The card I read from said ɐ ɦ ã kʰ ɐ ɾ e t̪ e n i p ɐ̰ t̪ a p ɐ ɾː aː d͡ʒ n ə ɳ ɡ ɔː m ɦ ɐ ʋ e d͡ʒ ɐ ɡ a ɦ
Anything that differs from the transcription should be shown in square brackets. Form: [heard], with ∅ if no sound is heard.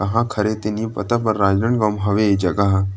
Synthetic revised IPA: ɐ ɦ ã kʰ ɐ ɾ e t̪ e n i p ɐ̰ t̪ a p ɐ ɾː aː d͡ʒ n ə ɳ ɡ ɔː m ɦ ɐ ʋ e d͡ʒ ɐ ɡ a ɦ